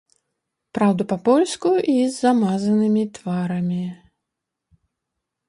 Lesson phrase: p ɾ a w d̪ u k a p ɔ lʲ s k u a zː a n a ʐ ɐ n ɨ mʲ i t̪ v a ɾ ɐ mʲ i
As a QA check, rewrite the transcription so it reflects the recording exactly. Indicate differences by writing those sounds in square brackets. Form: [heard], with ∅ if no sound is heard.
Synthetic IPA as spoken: p ɾ a w d̪ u [p] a p ɔ lʲ s k u [i] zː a [m] a [z] ɐ n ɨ mʲ i t̪ v a ɾ ɐ mʲ i